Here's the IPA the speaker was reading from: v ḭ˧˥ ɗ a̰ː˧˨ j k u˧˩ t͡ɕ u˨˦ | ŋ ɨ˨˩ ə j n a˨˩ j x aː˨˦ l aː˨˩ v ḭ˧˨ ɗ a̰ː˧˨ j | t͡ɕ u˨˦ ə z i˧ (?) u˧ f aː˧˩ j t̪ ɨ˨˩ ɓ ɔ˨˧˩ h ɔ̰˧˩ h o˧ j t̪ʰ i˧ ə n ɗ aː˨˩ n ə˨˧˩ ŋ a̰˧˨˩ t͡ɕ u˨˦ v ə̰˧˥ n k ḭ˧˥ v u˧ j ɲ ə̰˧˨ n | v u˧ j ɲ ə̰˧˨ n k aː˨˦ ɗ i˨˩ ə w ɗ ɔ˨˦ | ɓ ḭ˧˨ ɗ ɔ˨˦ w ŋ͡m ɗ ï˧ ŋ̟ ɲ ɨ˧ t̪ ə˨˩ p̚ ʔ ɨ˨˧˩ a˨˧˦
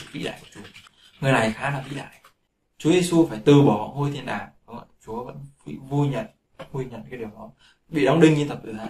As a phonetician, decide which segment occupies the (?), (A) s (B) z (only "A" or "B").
A